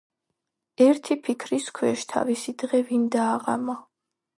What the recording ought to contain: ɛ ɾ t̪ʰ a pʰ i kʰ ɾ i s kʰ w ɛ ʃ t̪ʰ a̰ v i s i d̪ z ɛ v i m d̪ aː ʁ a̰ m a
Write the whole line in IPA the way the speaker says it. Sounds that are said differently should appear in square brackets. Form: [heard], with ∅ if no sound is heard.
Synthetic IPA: ɛ ɾ t̪ʰ [i] pʰ i kʰ ɾ i s kʰ w ɛ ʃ t̪ʰ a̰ v i s i d̪ [ʁ] ɛ v i [n] d̪ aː ʁ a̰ m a